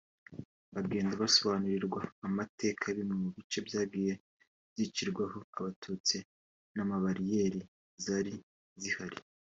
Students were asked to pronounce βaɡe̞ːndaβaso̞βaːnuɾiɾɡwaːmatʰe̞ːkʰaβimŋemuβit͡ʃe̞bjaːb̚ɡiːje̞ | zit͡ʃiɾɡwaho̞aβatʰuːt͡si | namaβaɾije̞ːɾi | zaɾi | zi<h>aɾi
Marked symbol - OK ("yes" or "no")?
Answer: yes